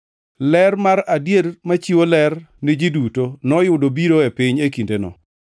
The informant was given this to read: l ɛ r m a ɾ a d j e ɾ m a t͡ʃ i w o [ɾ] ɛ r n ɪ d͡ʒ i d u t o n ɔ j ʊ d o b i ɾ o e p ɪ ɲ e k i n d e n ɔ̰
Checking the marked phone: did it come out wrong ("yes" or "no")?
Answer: yes